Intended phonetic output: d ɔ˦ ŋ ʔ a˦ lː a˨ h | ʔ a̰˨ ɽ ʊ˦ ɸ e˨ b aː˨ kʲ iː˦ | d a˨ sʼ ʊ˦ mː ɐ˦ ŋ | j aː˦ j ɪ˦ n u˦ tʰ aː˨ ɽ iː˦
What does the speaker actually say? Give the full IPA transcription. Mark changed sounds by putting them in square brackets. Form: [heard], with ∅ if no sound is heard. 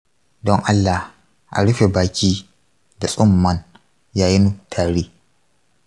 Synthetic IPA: d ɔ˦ ŋ ʔ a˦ lː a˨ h | ʔ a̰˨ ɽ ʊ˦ ɸ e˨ b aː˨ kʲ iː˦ | d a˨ sʼ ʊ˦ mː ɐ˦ [n] | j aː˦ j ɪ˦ n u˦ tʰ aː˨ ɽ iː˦